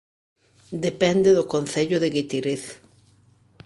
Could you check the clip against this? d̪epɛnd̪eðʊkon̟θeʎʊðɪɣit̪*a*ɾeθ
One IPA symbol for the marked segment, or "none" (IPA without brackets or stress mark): i